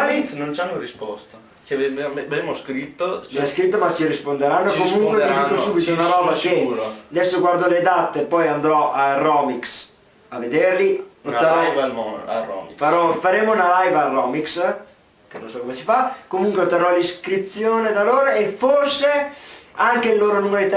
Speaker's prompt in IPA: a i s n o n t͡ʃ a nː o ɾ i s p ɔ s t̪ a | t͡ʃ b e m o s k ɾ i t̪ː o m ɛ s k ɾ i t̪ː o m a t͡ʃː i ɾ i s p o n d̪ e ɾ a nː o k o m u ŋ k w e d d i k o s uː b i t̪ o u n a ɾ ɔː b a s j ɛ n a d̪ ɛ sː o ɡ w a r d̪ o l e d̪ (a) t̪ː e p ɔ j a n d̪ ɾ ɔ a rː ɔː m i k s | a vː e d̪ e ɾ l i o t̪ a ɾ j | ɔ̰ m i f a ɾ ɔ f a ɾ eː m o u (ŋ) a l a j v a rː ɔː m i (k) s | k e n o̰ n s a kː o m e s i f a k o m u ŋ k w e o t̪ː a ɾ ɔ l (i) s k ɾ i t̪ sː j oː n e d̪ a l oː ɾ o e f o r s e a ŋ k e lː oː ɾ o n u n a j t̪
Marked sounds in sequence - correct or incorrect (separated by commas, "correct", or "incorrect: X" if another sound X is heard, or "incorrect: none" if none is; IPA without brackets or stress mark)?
correct, incorrect: n, correct, correct